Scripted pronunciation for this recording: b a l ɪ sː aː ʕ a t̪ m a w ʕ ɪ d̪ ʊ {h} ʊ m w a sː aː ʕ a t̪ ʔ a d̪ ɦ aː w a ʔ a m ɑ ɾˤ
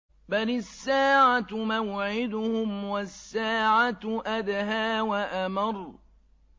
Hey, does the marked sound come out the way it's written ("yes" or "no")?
yes